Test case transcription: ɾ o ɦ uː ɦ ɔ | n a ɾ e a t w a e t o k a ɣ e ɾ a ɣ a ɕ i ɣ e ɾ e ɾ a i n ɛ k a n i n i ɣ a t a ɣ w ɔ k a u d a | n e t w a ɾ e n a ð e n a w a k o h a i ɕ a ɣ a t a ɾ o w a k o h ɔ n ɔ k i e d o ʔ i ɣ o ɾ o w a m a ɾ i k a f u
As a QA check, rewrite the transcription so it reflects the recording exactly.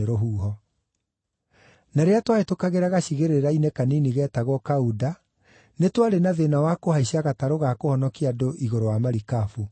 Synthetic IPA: ɾ o ɦ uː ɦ ɔ | n a ɾ e a t w a e t o k a ɣ e ɾ a ɣ a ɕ i ɣ e ɾ e ɾ a i n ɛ k a n i n i ɣ ɛ t a ɣ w ɔ k a u d a | n e t w a ɾ e n a ð e n a w a k o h a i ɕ a ɣ a t a ɾ o ɣ a k o h ɔ n ɔ k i a d o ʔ i ɣ o ɾ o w a m a ɾ i k a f u